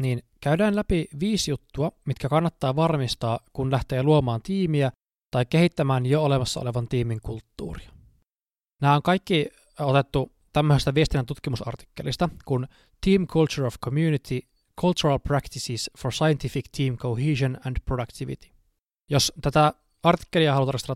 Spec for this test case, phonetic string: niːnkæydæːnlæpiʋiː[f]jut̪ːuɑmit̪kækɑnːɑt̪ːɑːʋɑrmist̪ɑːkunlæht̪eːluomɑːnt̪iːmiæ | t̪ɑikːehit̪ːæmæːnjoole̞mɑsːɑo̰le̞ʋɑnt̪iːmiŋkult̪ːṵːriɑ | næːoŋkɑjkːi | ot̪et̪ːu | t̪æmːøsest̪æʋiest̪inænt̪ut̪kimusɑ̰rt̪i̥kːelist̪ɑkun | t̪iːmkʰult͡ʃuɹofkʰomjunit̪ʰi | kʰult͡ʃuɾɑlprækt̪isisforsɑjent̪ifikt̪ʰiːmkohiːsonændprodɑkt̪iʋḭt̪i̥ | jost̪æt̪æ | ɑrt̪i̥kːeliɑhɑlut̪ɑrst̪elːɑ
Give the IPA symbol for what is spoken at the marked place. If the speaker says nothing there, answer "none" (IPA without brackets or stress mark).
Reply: s